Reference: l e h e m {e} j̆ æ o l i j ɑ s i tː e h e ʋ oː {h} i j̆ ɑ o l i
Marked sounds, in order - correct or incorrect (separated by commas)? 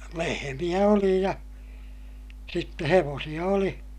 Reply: incorrect, incorrect